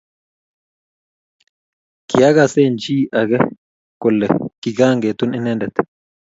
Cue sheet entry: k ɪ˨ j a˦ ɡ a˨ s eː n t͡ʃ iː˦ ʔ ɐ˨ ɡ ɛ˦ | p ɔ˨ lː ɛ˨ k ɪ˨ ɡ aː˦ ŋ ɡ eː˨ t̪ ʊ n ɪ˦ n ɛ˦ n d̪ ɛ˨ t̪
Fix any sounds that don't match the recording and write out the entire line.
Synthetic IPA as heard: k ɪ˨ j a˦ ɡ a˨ s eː n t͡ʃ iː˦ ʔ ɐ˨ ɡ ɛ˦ | k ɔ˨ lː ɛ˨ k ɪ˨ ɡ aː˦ ŋ ɡ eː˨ t̪ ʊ n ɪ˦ n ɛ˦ n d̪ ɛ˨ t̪

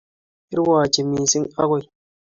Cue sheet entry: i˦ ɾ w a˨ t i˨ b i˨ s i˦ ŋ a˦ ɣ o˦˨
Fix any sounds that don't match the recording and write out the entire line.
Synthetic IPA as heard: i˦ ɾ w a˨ t͡ʃ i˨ m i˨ s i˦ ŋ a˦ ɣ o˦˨

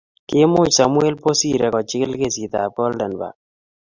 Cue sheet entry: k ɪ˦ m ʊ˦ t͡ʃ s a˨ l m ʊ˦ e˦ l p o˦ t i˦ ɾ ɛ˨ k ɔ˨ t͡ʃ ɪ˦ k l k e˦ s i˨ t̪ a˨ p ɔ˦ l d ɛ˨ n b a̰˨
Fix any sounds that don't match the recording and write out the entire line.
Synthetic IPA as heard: k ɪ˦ m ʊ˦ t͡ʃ s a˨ m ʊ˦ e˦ l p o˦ s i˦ ɾ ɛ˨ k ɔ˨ t͡ʃ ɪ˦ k l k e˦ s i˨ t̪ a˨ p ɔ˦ l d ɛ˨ n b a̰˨

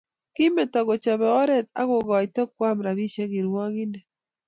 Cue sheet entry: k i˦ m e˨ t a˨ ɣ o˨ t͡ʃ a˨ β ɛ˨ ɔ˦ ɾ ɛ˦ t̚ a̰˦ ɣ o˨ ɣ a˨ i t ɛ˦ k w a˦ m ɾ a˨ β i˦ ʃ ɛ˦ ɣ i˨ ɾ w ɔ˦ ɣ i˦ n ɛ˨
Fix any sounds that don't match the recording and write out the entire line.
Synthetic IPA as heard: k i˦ m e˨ t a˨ ɣ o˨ t͡ʃ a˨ β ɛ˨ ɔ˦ ɾ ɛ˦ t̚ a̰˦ ɣ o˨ ɣ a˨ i t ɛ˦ k w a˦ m ɾ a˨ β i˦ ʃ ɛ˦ ɣ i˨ ɾ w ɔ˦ ɣ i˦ n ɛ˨

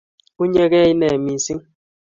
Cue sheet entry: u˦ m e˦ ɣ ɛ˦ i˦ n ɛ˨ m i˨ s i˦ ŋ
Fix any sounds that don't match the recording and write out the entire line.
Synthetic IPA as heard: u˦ ɲ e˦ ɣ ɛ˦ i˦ n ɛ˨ m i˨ s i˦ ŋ

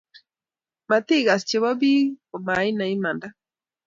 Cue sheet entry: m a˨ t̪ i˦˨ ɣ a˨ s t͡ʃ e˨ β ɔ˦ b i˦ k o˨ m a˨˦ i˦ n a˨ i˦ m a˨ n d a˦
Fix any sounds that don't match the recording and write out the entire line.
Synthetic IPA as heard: m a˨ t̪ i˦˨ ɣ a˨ s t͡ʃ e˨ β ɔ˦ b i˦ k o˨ m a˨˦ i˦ n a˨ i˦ m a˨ n d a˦

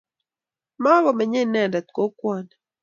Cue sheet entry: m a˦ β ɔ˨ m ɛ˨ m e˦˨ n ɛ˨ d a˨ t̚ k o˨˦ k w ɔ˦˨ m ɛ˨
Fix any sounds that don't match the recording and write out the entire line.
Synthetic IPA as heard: m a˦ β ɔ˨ m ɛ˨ ɲ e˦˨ n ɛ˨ d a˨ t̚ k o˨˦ k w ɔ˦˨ n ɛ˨

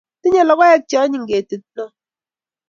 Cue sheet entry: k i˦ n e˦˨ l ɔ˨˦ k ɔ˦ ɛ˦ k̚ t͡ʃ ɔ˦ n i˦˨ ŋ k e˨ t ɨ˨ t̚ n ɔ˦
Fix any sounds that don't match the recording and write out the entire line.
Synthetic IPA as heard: t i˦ ɲ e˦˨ l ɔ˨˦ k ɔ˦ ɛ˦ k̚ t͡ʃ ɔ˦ ɲ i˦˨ ŋ ɡ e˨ t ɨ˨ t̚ n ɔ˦

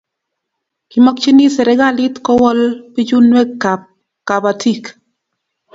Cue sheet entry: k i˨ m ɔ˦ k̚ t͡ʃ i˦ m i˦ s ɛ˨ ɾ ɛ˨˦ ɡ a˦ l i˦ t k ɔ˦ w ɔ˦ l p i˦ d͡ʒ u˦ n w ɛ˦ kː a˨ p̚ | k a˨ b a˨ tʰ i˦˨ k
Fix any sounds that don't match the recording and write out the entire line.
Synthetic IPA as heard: k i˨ m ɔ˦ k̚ t͡ʃ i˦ n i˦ s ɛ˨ ɾ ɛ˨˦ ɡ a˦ l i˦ t k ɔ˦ w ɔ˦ l p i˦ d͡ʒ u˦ n w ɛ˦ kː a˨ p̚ | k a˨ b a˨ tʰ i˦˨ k

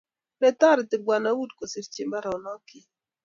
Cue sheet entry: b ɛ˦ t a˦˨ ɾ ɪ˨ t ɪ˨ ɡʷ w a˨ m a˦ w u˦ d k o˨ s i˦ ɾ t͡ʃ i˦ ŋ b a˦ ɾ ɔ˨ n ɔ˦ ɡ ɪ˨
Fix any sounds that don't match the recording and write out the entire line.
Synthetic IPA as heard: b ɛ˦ t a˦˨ ɾ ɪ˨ t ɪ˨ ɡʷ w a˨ n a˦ w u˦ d k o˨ s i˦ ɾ t͡ʃ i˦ m b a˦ ɾ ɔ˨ n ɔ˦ k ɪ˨

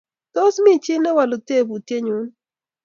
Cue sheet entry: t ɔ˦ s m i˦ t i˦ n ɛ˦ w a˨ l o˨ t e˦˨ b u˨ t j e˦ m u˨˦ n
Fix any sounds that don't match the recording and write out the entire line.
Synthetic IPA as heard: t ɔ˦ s m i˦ t͡ʃ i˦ n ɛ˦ w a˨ l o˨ t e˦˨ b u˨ t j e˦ ɲ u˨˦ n

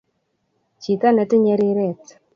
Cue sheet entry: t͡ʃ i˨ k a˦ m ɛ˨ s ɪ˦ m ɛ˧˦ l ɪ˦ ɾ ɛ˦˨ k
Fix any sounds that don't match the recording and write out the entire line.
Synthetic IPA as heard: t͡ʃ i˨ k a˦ n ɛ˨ t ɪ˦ ɲ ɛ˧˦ ɾ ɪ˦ ɾ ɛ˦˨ t

